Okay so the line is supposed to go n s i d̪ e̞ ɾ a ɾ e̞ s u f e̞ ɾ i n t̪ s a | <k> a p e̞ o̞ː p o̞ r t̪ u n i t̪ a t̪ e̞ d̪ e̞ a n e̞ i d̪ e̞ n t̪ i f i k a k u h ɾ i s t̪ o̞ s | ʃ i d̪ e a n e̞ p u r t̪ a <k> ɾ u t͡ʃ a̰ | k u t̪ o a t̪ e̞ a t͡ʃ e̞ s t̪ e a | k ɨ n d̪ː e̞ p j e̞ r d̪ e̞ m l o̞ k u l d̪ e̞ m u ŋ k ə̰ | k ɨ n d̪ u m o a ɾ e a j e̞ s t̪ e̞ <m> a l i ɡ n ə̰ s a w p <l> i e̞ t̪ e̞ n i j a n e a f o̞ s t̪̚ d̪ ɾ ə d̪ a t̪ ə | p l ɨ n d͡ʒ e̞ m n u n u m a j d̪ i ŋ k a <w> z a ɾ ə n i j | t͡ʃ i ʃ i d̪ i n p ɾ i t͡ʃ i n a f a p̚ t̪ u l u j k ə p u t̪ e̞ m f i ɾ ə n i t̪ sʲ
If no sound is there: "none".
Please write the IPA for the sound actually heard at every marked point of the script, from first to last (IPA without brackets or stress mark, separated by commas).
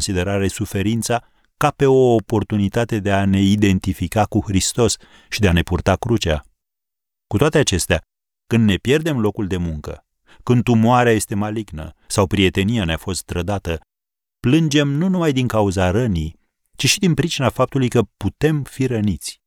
k, k, m, ɾ, u